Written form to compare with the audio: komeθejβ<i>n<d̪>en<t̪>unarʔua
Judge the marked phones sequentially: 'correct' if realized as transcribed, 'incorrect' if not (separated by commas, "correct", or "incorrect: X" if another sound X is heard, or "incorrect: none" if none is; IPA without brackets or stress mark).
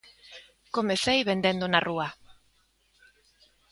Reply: incorrect: e, correct, incorrect: d̪